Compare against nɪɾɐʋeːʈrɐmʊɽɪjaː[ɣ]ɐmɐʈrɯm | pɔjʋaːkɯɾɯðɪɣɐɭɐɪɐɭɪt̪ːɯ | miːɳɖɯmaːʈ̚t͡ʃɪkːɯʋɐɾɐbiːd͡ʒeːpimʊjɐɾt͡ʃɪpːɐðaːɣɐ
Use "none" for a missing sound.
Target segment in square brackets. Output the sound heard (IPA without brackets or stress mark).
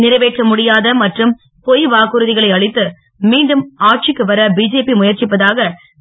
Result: ð